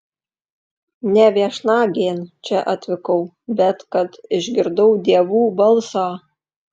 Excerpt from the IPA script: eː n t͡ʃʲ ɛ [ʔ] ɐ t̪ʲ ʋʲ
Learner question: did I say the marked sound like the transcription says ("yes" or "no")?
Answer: yes